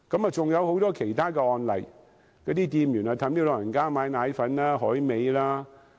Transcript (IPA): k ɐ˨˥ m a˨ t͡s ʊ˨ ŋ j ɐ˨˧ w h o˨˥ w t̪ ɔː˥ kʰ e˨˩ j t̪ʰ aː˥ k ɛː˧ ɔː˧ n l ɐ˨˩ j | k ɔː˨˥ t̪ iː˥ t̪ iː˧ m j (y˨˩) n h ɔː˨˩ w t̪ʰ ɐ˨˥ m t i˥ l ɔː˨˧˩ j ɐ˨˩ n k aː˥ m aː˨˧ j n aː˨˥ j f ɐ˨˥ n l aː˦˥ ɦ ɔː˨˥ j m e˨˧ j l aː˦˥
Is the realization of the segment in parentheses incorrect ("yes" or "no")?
no